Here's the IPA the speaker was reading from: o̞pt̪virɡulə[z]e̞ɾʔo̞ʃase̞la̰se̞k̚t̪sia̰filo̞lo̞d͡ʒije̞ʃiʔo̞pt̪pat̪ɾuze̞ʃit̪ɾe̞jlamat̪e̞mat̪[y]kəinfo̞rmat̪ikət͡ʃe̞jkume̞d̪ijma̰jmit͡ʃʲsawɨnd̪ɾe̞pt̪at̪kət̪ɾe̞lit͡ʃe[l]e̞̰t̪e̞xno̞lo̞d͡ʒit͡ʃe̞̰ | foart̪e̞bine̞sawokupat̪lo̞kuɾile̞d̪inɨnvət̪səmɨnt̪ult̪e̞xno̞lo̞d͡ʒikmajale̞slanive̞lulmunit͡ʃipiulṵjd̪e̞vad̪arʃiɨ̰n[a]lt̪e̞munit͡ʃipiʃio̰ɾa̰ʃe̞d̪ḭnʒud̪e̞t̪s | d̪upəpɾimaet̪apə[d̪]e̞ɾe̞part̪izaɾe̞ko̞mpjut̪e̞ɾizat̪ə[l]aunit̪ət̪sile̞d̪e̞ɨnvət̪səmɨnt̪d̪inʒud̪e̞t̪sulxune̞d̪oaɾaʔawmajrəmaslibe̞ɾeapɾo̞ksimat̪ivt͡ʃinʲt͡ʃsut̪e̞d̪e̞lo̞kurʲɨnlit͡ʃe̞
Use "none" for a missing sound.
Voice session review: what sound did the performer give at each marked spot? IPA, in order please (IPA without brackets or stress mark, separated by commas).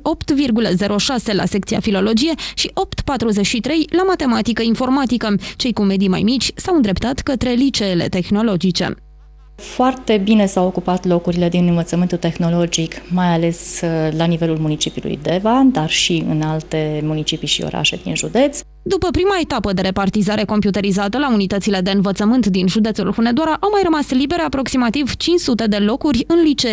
z, i, l, a, d̪, l